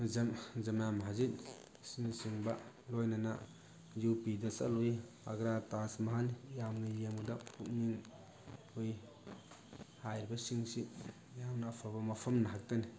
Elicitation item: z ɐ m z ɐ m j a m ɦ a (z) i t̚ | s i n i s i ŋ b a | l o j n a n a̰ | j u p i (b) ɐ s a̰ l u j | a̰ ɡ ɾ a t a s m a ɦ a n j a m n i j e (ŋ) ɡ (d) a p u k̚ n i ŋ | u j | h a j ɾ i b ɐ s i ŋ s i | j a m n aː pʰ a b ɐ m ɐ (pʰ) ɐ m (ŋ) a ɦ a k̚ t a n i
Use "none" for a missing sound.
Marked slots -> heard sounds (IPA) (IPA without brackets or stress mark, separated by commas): z, d, m, d, pʰ, n